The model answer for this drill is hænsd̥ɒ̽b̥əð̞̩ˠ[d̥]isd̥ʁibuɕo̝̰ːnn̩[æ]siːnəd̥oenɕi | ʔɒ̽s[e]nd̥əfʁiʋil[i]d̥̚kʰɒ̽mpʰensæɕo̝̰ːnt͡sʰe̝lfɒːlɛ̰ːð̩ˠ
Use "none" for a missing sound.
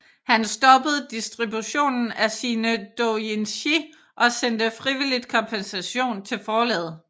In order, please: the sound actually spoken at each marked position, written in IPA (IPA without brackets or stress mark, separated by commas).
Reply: d̥, æ, e, i